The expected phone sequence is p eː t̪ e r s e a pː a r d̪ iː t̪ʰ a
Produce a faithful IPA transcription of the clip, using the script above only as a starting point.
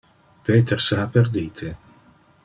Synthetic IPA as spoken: p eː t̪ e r s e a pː e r d̪ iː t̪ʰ e